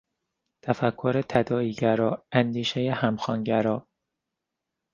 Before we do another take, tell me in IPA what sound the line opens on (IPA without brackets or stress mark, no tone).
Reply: t̪ʰ